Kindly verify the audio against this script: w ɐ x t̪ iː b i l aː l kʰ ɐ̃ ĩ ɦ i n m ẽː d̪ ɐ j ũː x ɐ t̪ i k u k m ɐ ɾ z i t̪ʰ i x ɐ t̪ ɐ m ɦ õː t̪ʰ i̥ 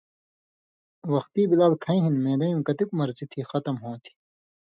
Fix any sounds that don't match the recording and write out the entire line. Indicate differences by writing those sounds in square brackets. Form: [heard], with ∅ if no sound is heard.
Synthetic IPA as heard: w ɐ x t̪ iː b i l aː l kʰ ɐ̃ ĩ ɦ i n m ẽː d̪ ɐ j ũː [k] ɐ t̪ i k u [∅] m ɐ ɾ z i t̪ʰ i x ɐ t̪ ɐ m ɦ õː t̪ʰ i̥